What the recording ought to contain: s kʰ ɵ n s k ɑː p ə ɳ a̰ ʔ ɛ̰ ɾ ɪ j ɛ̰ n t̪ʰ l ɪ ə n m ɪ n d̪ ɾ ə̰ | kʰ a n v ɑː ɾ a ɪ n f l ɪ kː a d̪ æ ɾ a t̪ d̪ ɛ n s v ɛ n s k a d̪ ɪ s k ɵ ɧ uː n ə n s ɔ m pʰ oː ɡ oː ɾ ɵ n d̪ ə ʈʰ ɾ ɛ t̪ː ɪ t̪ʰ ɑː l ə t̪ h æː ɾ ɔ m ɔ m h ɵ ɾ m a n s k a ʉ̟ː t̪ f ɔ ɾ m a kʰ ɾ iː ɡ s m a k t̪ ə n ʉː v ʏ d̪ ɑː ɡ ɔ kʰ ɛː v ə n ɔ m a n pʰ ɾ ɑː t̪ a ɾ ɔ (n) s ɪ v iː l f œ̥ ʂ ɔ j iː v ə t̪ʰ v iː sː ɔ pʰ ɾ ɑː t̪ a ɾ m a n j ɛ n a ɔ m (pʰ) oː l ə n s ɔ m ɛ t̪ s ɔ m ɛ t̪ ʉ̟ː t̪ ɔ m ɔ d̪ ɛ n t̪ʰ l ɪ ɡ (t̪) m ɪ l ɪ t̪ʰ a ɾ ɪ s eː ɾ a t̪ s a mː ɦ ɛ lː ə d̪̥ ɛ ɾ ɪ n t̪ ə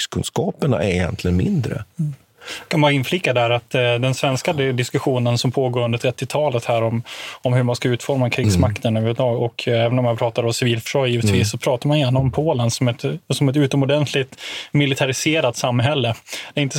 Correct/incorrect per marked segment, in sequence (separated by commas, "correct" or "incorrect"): incorrect, correct, correct